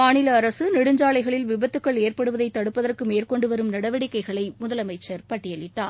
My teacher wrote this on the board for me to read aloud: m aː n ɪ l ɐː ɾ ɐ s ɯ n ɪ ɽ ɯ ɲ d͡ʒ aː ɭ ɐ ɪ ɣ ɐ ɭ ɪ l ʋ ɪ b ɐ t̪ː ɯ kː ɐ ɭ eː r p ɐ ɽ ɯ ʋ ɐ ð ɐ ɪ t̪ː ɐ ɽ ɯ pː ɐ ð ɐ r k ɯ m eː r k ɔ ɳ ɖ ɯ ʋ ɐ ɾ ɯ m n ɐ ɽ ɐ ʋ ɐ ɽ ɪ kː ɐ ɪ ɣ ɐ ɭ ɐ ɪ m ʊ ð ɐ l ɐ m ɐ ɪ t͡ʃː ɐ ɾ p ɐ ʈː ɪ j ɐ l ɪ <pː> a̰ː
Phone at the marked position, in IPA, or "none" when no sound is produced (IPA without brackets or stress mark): ʈː